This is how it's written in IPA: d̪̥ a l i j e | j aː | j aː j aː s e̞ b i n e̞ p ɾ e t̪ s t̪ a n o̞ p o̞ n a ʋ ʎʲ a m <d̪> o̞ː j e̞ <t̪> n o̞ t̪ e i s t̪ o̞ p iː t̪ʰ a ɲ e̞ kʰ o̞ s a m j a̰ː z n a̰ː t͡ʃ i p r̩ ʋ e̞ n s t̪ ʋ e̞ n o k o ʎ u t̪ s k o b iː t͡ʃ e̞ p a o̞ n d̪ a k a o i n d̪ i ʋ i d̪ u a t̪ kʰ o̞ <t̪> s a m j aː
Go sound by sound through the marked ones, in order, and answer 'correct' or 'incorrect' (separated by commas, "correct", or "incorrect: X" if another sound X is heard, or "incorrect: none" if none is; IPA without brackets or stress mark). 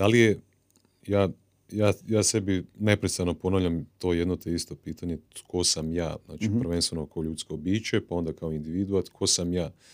incorrect: t̪, incorrect: d̪, incorrect: none